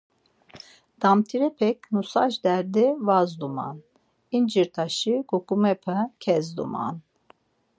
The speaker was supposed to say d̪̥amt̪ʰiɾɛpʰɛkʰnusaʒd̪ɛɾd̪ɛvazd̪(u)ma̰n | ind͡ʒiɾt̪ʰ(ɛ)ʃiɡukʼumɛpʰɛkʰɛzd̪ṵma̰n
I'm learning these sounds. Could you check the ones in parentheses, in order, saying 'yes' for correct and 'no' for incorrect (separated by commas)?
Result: yes, no